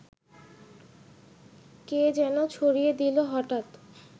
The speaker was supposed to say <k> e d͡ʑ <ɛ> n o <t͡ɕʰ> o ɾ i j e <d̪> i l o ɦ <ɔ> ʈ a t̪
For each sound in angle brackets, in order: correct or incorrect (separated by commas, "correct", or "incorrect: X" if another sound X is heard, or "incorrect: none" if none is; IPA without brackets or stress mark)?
correct, correct, correct, correct, correct